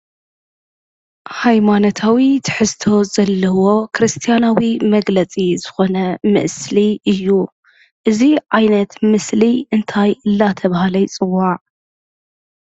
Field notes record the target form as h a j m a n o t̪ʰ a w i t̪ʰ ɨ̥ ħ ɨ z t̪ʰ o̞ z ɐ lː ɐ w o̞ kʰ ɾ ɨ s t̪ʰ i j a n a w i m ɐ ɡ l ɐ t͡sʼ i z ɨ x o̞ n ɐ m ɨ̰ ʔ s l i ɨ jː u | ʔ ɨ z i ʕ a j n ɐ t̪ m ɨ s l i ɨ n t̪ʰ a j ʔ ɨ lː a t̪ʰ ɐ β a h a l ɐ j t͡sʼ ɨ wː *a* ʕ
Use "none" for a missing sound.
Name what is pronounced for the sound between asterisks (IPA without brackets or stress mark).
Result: a